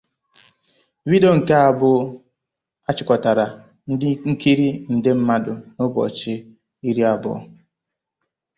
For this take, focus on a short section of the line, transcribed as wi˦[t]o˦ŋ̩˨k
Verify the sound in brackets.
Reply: incorrect: d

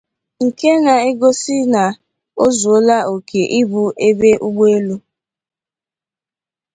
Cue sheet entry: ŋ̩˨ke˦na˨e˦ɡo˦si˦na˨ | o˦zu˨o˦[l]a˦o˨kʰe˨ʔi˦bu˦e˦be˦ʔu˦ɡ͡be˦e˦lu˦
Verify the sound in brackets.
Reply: correct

